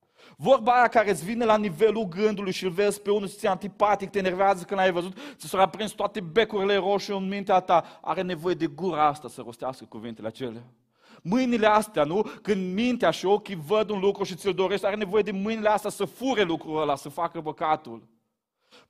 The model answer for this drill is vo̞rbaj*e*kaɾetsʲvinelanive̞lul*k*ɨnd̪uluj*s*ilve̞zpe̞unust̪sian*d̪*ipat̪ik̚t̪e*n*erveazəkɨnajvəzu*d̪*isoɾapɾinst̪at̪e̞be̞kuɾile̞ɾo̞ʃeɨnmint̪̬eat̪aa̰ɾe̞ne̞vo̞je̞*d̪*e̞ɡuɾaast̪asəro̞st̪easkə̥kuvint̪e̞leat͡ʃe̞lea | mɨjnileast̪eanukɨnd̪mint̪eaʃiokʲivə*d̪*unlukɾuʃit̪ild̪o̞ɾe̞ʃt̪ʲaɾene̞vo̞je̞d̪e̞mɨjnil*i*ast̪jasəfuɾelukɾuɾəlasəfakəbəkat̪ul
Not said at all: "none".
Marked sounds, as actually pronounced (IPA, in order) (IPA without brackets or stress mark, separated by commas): a, ɡ, ʃ, t̪, n, t̪, d̪, d̪, e